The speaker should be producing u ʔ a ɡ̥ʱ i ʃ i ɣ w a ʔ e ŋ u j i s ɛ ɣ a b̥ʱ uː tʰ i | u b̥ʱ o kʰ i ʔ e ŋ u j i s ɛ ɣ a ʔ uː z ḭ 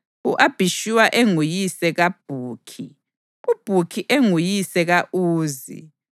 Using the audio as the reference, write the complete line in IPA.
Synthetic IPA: u ʔ a b̥ʱ i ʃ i w a ʔ e ŋ u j i s ɛ ɣ a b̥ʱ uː kʰ i | u b̥ʱ u kʰ i ʔ e ŋ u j i s ɛ ɣ a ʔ uː z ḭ

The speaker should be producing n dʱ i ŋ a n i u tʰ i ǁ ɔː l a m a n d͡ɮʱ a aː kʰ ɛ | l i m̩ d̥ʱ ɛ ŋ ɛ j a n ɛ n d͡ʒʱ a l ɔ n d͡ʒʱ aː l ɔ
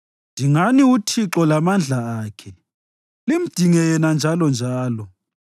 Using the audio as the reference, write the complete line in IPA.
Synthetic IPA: n dʱ i ŋ a n i u tʰ i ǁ ɔ l a m a n d͡ɮʱ a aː kʰ ɛ | l i m̩ d̥ʱ i ŋ ɛ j ɛ n a n d͡ʒʱ a l ɔ n d͡ʒʱ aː l ɔ

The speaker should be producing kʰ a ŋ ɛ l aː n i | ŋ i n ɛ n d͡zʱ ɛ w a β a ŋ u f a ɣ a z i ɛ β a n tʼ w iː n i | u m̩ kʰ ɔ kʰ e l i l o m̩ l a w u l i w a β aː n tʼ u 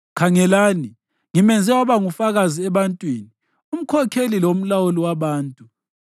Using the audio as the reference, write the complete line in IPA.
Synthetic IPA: kʰ a ŋ ɛ l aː n i | ŋ i m ɛ n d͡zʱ ɛ w a β a ŋ u f a ɣ a z i ɛ β a n tʼ w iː n i | u m̩ kʰ ɔ kʰ e l i l o m̩ l a w u l i w a β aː n tʼ u

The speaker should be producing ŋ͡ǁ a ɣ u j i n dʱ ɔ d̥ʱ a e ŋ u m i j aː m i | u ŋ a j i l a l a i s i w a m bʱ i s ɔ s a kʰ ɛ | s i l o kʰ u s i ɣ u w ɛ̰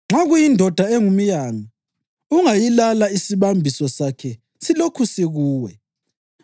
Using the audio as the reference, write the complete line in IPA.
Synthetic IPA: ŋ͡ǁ a ɣ u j i n dʱ ɔ d̥ʱ a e ŋ u m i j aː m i | u ŋ a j i l a l a i s i β a m bʱ i s ɔ s a kʰ ɛ | s i l o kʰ u s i ɣ uː w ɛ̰

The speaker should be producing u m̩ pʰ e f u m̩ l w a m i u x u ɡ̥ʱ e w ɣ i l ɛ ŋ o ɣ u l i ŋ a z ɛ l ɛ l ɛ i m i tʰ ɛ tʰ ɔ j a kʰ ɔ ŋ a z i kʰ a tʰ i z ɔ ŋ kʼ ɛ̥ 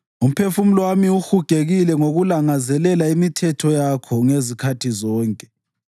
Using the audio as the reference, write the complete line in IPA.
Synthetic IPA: u m̩ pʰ e f u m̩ l w a m i u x u ɡ̥ʱ e ɣ i l ɛ ŋ o ɣ u l a ŋ a z ɛ l ɛ l a i m i tʰ ɛ tʰ ɔ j a kʰ ɔ ŋ e z i kʰ a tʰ i z ɔː ŋ kʼ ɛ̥

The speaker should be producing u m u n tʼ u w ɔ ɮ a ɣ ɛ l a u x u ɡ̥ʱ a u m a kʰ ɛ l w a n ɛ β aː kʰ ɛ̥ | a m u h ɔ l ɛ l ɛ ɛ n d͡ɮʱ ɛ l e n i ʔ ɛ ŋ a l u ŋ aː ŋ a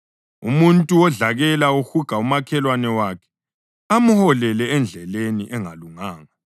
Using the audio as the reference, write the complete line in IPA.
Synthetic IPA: u m u n tʼ u w ɔ ɮ a ɣ ɛ l a u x u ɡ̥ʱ a u m a kʰ ɛ l w a n ɛ w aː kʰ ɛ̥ | a m u h ɔ l ɛ l ɛ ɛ n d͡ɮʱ ɛ l e n i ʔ ɛ ŋ a l u ŋ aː ŋ a

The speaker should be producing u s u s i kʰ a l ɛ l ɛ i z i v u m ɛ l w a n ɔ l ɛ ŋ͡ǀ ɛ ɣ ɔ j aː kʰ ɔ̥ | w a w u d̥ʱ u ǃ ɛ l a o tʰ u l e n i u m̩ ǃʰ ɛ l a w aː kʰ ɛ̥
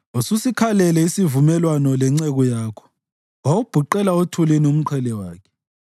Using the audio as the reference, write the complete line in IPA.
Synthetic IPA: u s u s i kʰ a l ɛ l ɛ i s i v u m ɛ l w a n ɔ l ɛ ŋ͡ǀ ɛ ɣ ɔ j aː kʰ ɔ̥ | w a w u b̥ʱ u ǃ ɛ l a o tʰ u l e n i u m̩ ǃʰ ɛ l ɛ w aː kʰ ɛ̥

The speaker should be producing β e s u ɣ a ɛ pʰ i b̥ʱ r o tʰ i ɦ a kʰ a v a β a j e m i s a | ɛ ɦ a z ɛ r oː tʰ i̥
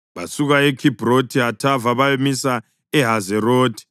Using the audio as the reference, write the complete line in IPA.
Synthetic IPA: β a s u ɣ a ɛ kʰ i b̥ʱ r o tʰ i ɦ a tʰ a v a β a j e m i s a | ɛ ɦ a z ɛ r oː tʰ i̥

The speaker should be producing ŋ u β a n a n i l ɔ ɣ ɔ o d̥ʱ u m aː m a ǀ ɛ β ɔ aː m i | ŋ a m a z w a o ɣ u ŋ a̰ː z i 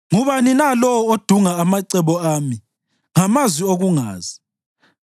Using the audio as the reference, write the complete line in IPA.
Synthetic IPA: ŋ u β a n i n a l ɔ w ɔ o d̥ʱ u ŋ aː m a ǀ ɛ β ɔ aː m i | ŋ a m a z w i o ɣ u ŋ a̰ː z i

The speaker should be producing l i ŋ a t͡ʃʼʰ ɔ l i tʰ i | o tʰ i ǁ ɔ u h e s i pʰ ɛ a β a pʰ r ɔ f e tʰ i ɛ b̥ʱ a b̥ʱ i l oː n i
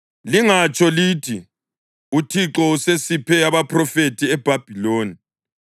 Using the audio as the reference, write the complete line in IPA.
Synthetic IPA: l i ŋ a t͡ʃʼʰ ɔ l i tʰ i | u tʰ i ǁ ɔ u s e s i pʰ ɛ a β a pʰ r ɔ f e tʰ i ɛ b̥ʱ a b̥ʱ i l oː n i

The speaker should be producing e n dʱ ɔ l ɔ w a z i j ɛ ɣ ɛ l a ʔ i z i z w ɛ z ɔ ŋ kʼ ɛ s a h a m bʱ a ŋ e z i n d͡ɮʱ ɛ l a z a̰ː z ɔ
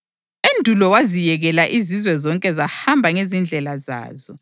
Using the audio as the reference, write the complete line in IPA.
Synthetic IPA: e n dʱ u l ɔ w a z i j ɛ ɣ ɛ l a ʔ i z i z w ɛ z ɔ ŋ kʼ ɛ z a h a m bʱ a ŋ e z i n d͡ɮʱ ɛ l a z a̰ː z ɔ

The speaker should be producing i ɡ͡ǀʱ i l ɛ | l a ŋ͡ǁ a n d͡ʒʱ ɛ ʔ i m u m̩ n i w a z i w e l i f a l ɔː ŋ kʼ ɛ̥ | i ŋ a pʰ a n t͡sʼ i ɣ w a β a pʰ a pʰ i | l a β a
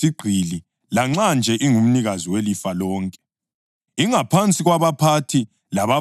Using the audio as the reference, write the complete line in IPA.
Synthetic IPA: i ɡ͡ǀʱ i l i | l a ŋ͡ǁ a n d͡ʒʱ ɛ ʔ i ŋ u m̩ n i ɣ a z i w e l i f a l ɔː ŋ kʼ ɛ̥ | i ŋ a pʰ a n t͡sʼ i ɣ w a β a pʰ a tʰ i | l a β a

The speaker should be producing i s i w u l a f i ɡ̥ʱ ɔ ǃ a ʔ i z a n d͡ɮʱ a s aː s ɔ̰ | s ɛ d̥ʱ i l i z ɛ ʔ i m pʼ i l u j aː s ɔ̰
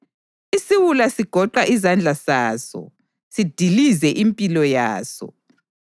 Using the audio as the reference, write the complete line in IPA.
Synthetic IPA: i s i w u l a s i ɡ̥ʱ ɔ ǃ a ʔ i z a n d͡ɮʱ a s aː s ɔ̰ | s i d̥ʱ i l i z ɛ ʔ i m pʼ i l ɔ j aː s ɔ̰

